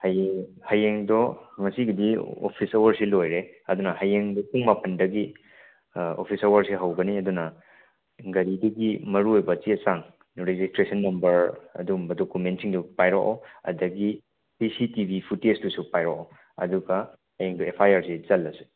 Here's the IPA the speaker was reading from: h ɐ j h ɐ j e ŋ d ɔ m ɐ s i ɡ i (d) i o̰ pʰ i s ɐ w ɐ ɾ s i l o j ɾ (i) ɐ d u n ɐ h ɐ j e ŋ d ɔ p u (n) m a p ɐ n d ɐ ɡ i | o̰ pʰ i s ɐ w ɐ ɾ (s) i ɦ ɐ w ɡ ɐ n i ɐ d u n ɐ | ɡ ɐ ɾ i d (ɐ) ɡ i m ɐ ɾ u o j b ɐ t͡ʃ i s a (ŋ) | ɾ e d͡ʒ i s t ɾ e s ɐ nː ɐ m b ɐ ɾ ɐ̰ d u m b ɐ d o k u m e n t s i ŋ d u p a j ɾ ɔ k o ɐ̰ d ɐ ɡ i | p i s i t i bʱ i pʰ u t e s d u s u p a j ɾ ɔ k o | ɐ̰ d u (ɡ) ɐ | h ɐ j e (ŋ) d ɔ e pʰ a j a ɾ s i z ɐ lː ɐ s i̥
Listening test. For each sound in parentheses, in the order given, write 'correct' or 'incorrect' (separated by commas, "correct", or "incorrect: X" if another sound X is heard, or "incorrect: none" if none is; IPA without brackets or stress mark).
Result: correct, incorrect: e, incorrect: ŋ, correct, correct, correct, correct, correct